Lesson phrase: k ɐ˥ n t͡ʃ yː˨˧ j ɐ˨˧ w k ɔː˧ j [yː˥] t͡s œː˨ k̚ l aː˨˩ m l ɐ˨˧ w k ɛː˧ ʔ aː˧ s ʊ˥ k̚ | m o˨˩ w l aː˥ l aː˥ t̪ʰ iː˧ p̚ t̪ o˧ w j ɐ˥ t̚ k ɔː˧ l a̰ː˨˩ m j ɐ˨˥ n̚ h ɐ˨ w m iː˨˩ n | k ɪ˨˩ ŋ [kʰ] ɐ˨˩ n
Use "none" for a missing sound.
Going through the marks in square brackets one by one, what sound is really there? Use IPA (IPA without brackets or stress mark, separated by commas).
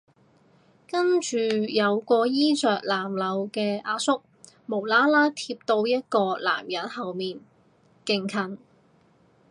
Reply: iː˥, kʰ